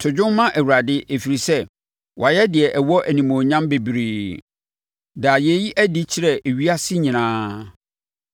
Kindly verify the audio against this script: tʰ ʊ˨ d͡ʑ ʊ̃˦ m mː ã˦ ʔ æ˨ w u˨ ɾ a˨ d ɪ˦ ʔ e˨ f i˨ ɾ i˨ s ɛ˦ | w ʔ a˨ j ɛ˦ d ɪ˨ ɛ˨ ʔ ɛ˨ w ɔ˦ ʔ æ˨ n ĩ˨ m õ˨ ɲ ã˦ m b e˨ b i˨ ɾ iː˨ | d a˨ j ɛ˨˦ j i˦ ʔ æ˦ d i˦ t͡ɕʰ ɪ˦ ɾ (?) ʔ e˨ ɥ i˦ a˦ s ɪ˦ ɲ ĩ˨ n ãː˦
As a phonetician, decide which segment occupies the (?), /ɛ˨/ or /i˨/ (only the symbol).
ɛ˨